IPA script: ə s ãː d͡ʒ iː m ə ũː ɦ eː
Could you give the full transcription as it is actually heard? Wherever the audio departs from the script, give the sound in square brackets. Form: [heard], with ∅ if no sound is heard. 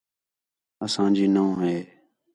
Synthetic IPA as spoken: ə s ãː d͡ʒ iː [n] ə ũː ɦ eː